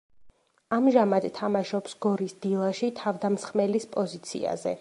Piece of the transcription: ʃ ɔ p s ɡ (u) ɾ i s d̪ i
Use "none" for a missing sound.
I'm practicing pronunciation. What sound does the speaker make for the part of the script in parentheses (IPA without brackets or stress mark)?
ɔ